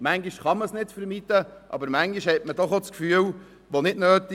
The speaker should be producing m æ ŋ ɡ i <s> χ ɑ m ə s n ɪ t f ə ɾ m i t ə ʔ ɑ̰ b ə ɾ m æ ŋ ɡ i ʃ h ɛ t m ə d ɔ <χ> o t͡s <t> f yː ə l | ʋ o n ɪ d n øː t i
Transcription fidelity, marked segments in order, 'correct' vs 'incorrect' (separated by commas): incorrect, correct, incorrect